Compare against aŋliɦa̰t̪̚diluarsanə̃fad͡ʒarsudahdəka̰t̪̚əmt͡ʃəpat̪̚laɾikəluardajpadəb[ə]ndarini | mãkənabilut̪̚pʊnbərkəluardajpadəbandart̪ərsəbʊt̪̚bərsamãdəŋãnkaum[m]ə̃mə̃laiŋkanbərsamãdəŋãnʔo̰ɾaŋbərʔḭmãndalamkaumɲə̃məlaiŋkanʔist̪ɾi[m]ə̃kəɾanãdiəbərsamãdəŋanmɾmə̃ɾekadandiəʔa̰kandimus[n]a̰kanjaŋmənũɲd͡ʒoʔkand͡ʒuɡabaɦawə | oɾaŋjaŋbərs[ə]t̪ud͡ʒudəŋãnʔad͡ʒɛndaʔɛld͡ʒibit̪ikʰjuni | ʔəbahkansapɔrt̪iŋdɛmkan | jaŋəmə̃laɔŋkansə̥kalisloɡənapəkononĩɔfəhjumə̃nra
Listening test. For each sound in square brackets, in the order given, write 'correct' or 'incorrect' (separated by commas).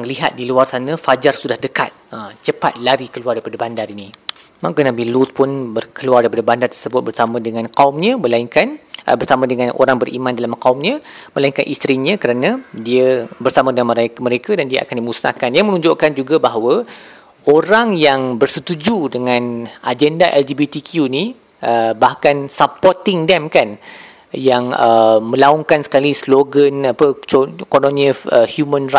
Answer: incorrect, incorrect, incorrect, correct, correct